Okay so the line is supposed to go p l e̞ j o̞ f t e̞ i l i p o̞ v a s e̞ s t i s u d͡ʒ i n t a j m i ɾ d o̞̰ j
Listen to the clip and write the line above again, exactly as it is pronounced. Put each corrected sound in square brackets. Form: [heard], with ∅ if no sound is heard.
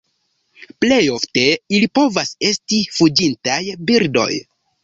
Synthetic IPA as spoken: p l e̞ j o̞ f t e̞ i l i p o̞ v a s e̞ s t i [f] u d͡ʒ i n t a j [b] i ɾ d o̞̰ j